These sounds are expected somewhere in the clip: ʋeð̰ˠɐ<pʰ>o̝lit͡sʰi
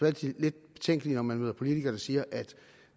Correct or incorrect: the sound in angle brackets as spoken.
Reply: correct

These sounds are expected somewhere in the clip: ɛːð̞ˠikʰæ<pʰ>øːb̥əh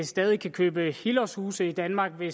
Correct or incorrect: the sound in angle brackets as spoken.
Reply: incorrect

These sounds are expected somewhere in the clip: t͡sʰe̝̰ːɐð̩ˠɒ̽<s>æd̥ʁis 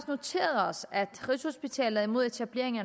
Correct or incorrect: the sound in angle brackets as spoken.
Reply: correct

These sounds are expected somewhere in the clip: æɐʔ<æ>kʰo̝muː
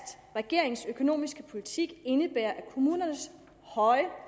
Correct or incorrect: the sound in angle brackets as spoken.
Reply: correct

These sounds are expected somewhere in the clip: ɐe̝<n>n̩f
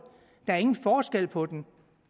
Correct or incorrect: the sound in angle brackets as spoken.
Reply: incorrect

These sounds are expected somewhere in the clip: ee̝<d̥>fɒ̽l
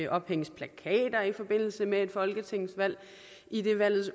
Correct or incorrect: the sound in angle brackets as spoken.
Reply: correct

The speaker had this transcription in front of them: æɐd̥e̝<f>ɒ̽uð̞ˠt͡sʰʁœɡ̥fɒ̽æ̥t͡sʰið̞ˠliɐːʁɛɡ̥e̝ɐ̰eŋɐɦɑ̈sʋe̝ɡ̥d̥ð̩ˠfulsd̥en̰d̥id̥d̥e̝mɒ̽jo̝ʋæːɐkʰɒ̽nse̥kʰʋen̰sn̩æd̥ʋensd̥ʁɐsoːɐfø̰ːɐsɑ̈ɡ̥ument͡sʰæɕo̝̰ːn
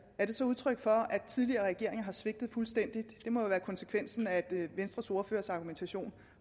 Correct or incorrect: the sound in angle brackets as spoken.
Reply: incorrect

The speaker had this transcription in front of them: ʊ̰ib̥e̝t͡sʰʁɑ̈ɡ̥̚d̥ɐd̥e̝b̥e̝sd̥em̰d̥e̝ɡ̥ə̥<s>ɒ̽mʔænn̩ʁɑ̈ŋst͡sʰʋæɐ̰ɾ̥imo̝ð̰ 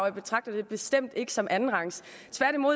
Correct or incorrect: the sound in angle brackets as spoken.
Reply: correct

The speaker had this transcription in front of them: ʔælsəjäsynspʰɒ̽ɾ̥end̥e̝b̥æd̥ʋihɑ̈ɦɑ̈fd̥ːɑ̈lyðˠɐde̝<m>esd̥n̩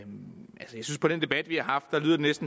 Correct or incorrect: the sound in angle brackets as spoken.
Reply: incorrect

